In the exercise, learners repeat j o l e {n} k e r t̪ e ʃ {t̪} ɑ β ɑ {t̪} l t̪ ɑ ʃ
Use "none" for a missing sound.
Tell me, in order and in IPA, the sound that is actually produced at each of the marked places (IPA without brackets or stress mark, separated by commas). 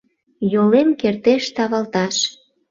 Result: m, t̪, none